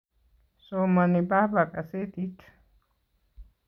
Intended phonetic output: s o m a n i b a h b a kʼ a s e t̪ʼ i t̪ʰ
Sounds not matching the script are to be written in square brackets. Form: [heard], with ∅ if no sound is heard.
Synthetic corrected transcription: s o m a n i b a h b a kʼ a s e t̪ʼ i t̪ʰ

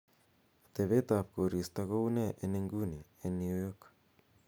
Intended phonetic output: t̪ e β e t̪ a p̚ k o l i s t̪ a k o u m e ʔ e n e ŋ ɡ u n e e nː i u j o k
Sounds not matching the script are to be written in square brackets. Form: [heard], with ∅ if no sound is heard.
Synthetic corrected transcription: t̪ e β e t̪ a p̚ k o [ɾ] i s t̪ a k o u [n] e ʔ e n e ŋ ɡ u n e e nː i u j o k

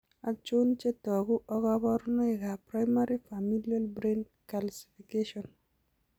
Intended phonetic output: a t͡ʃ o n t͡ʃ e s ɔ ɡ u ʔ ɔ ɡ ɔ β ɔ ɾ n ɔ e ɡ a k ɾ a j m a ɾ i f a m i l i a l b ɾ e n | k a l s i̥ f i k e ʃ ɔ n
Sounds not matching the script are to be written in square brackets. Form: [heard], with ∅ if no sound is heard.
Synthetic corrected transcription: a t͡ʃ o n t͡ʃ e [t] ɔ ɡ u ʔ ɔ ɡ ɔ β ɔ ɾ n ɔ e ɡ a [p] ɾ a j m a ɾ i f a m i l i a l b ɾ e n | k a l s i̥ f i k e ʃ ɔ n

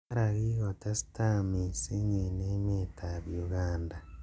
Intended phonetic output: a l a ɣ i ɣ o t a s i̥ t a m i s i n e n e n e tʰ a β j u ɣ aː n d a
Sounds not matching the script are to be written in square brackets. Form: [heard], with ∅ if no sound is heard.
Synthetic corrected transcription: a [ɾ] a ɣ i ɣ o t a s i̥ t a m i s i [ɲ] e n e [m] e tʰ a β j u ɣ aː n d a

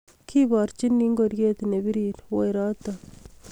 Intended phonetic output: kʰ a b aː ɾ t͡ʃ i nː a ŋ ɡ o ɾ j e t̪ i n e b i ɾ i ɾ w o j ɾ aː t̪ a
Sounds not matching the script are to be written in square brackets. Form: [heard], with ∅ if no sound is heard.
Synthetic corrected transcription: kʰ [i] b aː ɾ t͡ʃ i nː [i] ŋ ɡ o ɾ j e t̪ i n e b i ɾ i ɾ w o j ɾ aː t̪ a

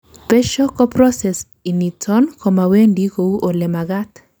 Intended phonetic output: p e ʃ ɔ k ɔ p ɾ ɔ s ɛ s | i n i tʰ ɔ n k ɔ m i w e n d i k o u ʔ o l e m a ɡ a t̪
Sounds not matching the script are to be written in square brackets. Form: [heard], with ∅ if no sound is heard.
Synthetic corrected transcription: p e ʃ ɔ k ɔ p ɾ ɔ s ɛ s | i n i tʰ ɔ n k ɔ m [a] w e n d i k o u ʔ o l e m a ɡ a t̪

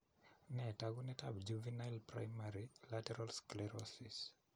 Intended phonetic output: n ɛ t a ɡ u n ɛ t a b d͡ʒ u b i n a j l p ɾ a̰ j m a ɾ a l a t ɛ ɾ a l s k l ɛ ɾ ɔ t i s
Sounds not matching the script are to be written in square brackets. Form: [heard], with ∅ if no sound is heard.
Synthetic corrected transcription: n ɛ t a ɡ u n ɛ t a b d͡ʒ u [v] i n a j l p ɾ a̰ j m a ɾ [i] l a t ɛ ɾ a l s k l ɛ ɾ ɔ [s] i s

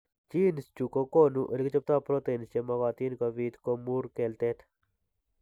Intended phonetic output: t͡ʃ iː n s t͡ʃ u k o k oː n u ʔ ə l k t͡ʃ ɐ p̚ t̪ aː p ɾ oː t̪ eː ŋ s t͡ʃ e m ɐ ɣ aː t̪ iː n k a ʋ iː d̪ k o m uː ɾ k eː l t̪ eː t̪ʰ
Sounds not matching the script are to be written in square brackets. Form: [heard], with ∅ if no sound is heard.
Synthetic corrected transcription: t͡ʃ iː n s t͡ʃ u k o k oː n u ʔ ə l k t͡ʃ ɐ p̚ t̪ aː p ɾ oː t̪ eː [n] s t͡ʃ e m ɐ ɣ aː t̪ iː n k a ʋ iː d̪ k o m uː ɾ k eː l t̪ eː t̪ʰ

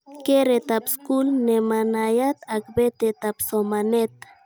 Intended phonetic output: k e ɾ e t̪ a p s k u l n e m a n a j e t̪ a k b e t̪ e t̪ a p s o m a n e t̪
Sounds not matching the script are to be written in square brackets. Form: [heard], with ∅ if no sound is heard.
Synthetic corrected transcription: k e ɾ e t̪ a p s k u l n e m a n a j [a] t̪ a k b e t̪ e t̪ a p s o m a n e t̪

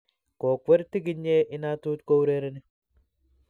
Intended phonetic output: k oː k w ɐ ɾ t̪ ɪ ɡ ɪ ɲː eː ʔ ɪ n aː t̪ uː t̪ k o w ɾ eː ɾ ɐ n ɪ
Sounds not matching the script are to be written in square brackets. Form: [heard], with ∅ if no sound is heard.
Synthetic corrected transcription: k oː k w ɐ ɾ t̪ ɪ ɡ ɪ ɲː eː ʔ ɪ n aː t̪ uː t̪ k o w ɾ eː ɾ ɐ n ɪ

